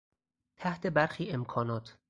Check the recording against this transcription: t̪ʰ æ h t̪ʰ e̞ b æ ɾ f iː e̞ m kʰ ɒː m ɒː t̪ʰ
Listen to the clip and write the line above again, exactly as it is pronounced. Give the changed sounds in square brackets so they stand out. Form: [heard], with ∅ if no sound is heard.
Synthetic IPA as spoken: t̪ʰ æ h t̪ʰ e̞ b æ ɾ [x] iː e̞ m kʰ ɒː [n] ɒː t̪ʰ